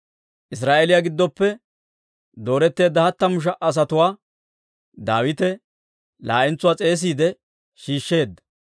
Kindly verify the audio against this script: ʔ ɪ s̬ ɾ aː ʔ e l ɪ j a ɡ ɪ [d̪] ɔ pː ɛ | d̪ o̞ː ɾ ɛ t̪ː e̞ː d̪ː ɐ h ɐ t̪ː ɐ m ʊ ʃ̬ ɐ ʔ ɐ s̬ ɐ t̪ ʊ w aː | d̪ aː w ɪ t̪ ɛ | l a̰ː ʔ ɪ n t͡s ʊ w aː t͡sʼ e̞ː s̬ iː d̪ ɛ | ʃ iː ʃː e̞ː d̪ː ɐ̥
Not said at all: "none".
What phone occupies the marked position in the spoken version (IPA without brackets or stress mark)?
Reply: d̪ː